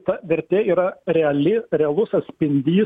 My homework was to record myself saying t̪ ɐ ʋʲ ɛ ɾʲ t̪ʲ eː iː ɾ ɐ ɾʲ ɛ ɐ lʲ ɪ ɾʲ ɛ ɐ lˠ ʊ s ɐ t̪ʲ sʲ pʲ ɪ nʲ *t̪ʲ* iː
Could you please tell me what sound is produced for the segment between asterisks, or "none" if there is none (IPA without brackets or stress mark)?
d̪ʲ